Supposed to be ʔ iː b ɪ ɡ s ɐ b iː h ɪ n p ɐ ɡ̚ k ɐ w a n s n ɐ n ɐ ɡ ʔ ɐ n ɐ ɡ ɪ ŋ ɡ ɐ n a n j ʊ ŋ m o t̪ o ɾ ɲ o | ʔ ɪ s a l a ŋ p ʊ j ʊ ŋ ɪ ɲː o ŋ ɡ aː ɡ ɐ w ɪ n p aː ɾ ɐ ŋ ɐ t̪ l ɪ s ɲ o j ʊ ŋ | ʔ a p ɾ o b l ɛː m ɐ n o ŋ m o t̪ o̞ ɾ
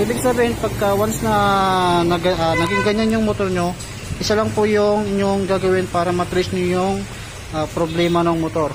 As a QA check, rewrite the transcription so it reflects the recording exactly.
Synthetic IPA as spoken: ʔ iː b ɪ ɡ s ɐ b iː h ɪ n p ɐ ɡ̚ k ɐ w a n s n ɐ n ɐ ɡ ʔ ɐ n ɐ ɡ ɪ ŋ ɡ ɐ ɲ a n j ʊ ŋ m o t̪ o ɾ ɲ o | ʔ ɪ s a l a ŋ p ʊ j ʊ ŋ ɪ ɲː o ŋ ɡ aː ɡ ɐ w ɪ n p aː ɾ ɐ m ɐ t̪ ɾ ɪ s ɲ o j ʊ ŋ | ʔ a p ɾ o b l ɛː m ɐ n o ŋ m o t̪ o̞ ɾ